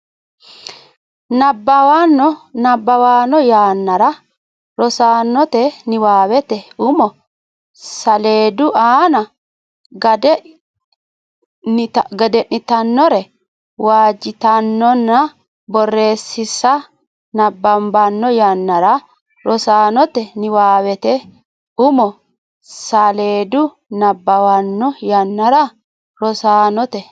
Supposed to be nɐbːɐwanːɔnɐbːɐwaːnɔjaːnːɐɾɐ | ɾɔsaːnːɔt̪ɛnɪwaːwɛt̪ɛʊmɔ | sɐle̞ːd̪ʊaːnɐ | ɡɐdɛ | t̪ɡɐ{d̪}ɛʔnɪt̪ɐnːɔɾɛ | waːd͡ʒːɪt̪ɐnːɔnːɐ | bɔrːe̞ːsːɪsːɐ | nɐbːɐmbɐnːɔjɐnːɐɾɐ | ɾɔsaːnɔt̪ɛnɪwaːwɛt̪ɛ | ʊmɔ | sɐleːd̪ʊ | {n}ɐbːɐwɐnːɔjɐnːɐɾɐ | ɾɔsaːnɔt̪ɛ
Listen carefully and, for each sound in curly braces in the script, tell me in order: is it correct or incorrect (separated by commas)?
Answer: correct, correct